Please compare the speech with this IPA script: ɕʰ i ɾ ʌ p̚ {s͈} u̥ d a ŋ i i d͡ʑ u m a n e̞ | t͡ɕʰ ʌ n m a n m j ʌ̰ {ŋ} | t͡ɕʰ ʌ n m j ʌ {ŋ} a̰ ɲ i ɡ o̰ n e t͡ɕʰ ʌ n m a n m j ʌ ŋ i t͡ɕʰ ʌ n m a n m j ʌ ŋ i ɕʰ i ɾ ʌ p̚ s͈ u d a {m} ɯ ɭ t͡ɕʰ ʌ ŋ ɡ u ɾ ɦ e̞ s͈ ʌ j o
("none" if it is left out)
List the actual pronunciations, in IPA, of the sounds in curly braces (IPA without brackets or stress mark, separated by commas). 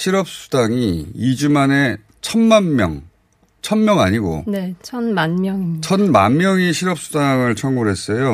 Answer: s͈, ŋ, ŋ, ŋ